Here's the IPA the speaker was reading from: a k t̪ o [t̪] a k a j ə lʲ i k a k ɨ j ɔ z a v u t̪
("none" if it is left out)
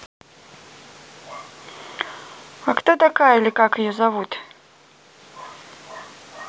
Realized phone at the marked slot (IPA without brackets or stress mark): t̪